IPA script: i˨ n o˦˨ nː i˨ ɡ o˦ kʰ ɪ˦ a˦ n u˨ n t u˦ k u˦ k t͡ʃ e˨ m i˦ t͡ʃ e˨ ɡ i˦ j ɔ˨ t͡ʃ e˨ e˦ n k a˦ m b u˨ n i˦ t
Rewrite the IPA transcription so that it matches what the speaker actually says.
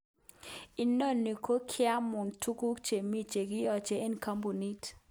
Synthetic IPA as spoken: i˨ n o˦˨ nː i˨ k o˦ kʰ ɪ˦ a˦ m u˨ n t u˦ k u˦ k t͡ʃ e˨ m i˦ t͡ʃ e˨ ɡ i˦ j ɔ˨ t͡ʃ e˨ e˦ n k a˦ m b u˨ n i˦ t

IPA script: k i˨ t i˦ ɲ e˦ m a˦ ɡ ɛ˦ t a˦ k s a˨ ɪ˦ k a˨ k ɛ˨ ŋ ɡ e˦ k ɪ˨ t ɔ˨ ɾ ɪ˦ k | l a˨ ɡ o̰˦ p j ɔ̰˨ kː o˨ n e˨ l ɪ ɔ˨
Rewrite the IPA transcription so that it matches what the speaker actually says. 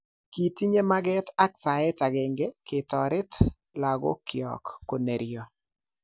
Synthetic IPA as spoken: k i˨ t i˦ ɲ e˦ m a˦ ɡ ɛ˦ t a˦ k s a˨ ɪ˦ t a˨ ɡ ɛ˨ ŋ ɡ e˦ k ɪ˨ t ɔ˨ ɾ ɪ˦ t | l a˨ ɡ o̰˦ k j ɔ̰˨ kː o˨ n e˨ ɾ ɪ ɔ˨

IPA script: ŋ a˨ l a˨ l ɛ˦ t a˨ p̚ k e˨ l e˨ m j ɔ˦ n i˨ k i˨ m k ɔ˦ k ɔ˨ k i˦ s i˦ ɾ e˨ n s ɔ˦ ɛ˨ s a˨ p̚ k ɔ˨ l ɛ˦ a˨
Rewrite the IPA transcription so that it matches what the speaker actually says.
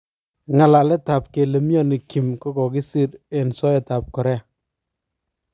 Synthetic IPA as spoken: ŋ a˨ l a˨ l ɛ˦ t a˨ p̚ k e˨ l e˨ m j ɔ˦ n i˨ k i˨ m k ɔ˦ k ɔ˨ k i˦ s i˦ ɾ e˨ n s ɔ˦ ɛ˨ t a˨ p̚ k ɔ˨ ɾ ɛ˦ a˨

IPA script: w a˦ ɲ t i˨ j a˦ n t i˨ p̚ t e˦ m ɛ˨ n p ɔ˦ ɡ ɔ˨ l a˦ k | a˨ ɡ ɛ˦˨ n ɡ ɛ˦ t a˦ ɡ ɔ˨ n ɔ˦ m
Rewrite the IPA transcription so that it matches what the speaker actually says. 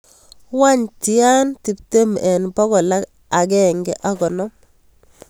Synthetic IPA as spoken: w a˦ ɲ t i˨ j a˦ n t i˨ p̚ t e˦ m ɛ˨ n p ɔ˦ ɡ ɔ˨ l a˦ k | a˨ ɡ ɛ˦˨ ŋ ɡ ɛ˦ ʔ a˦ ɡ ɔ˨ n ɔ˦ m

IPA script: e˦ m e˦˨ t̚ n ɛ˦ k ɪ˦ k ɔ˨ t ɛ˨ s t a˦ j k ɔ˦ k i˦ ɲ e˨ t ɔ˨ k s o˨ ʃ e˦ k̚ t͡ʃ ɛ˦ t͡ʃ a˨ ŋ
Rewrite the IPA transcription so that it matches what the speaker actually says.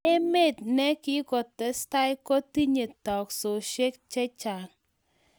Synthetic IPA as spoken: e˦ m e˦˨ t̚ n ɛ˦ k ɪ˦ k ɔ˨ t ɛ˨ s t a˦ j k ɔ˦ t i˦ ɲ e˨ t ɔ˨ k s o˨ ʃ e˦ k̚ t͡ʃ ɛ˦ t͡ʃ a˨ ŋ

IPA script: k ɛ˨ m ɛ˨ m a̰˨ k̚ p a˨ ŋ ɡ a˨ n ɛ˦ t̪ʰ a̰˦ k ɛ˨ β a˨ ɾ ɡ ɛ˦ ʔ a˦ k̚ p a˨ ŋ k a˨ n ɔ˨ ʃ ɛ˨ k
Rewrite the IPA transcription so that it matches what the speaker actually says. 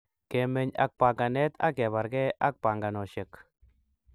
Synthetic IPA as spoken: k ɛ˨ m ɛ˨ ɲ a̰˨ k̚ p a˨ ŋ ɡ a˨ n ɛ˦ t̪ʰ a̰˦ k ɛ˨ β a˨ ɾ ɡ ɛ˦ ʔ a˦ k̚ p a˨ ŋ ɡ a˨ n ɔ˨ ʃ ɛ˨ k

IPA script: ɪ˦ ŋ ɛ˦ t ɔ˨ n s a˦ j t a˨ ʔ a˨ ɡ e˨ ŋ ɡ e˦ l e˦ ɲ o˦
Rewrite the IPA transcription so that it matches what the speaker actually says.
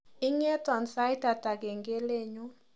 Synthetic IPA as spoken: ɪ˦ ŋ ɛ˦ t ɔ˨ n s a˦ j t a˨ t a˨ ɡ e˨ ŋ ɡ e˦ l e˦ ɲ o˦

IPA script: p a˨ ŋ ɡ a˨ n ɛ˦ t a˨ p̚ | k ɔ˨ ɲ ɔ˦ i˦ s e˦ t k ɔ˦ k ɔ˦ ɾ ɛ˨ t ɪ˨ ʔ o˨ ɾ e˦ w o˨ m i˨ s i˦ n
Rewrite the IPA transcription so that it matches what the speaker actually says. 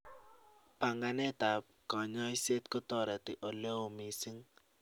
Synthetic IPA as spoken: p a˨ ŋ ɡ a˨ n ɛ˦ t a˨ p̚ | k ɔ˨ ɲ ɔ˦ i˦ s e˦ t k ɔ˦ t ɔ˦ ɾ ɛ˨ t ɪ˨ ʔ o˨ l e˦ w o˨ m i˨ s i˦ ŋ

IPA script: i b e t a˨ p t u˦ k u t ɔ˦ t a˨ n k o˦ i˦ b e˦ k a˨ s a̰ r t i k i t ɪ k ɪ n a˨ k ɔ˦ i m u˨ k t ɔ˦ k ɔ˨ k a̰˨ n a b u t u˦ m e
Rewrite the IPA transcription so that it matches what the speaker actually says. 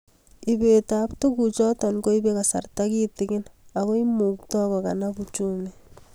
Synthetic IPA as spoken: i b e t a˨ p t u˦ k u t͡ʃ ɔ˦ t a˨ n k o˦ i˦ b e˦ k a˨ s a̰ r t a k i t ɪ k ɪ n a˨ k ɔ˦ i m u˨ k t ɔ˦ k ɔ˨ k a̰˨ n a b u t͡ʃ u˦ m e

